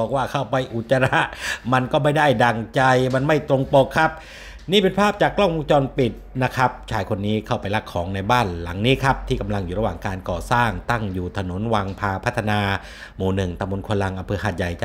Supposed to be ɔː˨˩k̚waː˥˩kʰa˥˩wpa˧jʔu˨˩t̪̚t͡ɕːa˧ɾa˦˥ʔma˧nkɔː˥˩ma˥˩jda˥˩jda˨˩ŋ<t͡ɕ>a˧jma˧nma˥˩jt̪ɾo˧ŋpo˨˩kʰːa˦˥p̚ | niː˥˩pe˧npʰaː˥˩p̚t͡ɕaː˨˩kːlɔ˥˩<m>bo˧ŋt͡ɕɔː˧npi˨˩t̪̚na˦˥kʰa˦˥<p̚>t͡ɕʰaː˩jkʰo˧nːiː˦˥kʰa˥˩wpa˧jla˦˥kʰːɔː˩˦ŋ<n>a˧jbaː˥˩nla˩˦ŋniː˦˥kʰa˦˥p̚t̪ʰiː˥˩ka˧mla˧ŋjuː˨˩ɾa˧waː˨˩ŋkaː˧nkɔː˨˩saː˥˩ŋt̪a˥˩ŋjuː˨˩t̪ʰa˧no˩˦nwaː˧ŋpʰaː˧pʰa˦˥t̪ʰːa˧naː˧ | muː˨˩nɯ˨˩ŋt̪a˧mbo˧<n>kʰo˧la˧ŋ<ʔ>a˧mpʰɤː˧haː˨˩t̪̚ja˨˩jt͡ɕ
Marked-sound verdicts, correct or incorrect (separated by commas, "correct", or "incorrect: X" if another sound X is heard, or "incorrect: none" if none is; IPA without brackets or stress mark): correct, incorrect: ŋ, correct, correct, correct, correct